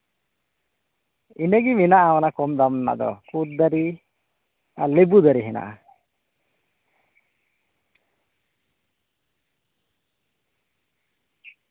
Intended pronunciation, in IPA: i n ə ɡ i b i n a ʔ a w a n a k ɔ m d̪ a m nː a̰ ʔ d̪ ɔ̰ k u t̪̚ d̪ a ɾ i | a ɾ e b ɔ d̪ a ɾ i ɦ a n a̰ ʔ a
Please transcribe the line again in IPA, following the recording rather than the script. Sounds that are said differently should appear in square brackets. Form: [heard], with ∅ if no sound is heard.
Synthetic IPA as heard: i n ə ɡ i [m] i n a ʔ a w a n a k ɔ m d̪ a m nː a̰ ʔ d̪ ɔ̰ k u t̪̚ d̪ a ɾ i | a [l] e b [u] d̪ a ɾ i ɦ [ɛ] n a̰ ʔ a